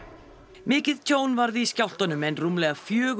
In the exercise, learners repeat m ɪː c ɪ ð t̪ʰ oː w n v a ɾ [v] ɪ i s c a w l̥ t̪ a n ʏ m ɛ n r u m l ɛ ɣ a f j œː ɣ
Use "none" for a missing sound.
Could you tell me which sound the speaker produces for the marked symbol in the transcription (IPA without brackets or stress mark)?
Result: ð